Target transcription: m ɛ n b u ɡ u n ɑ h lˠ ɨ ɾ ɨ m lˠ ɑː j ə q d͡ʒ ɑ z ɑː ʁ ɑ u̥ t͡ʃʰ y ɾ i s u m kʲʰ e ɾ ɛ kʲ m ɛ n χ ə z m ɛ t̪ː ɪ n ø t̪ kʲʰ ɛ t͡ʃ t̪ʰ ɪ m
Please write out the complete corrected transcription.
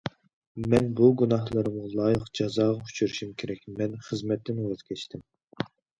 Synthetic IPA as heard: m ɛ n b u ɡ u n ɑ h lˠ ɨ ɾ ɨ m lˠ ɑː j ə q d͡ʒ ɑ z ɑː ʁ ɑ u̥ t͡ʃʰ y ɾ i ʃ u m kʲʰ e ɾ ɛ kʲ m ɛ n χ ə z m ɛ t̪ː ɪ n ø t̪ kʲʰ ɛ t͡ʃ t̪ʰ ɪ m